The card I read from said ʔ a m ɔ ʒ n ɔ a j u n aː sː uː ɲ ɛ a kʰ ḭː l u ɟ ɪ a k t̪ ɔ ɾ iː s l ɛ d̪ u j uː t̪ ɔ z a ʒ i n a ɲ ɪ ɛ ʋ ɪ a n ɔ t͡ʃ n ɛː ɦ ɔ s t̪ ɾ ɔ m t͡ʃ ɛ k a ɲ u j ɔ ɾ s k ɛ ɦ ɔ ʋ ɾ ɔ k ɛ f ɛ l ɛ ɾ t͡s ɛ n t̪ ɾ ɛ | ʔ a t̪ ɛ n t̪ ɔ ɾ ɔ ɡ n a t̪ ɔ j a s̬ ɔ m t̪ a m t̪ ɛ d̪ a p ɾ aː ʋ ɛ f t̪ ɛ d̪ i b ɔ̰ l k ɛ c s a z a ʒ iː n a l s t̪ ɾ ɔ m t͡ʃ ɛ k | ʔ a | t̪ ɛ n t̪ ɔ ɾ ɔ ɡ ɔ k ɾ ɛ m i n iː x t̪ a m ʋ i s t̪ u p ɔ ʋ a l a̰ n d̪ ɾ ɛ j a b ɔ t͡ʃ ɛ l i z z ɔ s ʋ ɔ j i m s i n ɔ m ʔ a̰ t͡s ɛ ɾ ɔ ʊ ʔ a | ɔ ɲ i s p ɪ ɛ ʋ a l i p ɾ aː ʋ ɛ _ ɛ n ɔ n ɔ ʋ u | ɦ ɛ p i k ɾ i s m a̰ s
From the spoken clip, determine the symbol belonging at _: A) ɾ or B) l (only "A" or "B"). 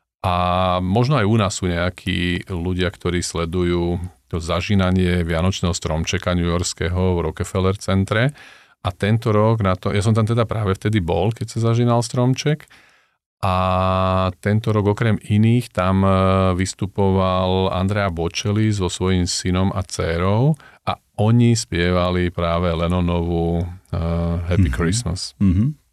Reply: B